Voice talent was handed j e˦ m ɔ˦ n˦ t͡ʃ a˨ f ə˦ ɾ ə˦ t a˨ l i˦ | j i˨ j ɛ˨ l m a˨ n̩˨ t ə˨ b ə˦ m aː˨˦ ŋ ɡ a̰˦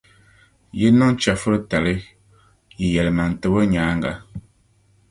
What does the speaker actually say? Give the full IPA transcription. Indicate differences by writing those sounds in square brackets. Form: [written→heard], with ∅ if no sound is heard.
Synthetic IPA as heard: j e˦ [m→n] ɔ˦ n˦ t͡ʃ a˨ f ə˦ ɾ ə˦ t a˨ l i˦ | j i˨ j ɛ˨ l m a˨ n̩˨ t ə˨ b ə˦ [m→ɲ] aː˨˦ ŋ ɡ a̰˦